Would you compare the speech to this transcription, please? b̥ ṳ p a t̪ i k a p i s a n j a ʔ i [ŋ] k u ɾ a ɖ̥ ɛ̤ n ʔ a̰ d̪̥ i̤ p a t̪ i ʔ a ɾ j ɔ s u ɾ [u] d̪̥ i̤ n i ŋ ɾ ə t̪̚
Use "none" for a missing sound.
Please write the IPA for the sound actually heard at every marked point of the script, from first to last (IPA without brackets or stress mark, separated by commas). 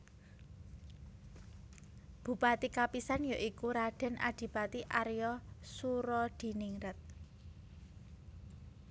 none, ɔ